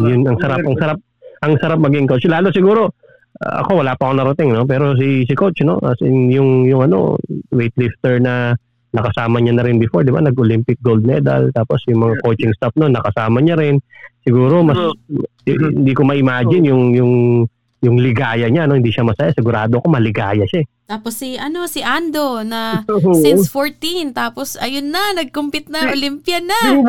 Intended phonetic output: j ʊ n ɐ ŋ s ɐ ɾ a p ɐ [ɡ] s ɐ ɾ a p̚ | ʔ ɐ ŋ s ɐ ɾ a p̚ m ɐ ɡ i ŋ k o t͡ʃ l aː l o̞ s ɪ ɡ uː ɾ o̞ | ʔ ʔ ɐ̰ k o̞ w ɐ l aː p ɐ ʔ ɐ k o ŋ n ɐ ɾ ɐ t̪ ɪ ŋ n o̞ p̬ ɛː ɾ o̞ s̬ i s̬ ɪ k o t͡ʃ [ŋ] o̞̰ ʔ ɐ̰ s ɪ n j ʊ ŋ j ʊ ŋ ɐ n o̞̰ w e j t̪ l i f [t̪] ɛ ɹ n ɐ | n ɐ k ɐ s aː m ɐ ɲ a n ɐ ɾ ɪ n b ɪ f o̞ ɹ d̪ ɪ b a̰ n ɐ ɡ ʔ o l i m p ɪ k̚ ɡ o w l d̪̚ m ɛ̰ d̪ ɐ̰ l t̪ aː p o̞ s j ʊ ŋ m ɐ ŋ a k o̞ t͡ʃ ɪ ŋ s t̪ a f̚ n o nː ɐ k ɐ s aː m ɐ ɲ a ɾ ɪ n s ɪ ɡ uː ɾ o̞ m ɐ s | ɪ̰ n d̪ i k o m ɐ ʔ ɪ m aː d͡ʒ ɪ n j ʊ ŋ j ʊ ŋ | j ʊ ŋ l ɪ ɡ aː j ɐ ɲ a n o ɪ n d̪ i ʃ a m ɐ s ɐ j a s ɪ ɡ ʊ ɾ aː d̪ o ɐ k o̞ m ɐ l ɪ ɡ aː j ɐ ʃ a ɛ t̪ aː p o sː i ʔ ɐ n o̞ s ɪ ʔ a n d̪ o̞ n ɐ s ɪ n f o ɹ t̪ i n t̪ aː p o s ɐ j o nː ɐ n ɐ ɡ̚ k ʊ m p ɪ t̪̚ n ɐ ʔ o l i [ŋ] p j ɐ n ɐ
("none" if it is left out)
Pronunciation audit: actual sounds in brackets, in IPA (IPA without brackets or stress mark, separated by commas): ŋ, n, t̪, m